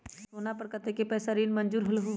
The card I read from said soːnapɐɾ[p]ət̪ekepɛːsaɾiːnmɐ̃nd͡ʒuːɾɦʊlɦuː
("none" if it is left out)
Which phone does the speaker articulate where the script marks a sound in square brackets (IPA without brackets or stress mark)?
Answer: k